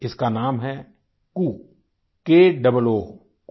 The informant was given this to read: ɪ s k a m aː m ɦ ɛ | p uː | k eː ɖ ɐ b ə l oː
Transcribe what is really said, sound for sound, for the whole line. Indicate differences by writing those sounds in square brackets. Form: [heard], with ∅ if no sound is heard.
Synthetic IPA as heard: ɪ s k a [n] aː m ɦ ɛ | [k] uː | k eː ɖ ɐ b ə l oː